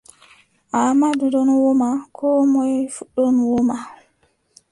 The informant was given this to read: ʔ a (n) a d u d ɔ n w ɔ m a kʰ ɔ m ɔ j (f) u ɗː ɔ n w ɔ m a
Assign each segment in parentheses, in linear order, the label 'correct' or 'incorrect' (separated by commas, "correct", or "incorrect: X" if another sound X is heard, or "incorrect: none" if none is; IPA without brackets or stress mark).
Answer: incorrect: m, correct